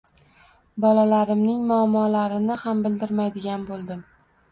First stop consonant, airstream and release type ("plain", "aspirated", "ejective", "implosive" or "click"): plain